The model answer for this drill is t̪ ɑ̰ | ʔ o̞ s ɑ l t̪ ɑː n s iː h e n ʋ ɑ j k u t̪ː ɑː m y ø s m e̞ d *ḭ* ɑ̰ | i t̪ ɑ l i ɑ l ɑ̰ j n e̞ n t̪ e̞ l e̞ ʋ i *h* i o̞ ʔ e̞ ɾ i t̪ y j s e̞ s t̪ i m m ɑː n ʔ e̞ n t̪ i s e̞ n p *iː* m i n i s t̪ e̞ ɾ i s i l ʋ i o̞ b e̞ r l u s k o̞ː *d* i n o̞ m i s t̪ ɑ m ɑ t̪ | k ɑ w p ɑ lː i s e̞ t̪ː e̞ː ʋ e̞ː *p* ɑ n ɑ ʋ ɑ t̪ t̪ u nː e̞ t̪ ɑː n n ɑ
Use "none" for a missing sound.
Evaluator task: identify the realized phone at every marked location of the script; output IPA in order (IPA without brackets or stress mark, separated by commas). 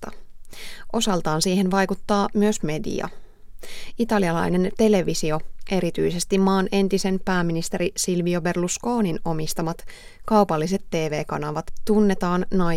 ḭ, s, æː, n, k